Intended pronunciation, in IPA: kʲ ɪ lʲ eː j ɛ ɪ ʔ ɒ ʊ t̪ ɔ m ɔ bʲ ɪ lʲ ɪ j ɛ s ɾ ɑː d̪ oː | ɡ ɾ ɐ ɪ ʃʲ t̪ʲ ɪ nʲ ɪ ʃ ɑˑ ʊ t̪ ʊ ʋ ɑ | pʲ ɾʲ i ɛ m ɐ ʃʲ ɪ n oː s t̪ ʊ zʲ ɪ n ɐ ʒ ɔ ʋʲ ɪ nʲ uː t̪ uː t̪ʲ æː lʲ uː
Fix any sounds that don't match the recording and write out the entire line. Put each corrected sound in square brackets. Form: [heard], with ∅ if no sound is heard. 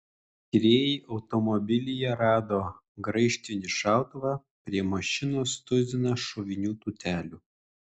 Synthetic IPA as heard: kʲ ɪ [ɾʲ] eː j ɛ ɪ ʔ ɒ ʊ t̪ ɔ m ɔ bʲ ɪ lʲ ɪ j ɛ [∅] ɾ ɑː d̪ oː | ɡ ɾ ɐ ɪ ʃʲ t̪ʲ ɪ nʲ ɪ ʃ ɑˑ ʊ t̪ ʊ ʋ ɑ | pʲ ɾʲ i ɛ m ɐ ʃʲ ɪ n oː s t̪ ʊ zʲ ɪ n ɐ [ʃ] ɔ ʋʲ ɪ nʲ uː t̪ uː t̪ʲ æː lʲ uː